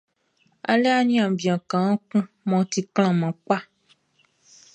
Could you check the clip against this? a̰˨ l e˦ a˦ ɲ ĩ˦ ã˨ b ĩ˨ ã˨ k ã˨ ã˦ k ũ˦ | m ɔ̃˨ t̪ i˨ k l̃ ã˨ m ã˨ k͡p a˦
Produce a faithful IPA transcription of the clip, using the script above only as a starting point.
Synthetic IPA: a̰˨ l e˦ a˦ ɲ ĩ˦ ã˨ b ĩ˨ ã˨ k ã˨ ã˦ k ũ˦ | m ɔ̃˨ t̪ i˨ k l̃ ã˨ m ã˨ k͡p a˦